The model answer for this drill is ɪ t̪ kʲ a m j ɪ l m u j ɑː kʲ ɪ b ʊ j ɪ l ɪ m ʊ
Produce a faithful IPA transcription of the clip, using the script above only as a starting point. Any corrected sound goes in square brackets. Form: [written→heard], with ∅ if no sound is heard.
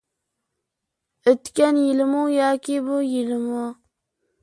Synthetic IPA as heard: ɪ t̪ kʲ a [m→n] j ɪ l m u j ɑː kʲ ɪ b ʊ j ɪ l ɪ m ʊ